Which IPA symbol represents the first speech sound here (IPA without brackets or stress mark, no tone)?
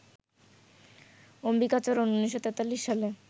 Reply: o